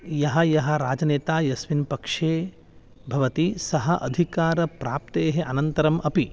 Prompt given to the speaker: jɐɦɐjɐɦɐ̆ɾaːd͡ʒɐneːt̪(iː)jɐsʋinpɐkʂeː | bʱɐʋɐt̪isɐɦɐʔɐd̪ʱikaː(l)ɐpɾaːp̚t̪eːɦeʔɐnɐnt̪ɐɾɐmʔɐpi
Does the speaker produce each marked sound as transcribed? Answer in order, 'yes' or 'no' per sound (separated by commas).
no, no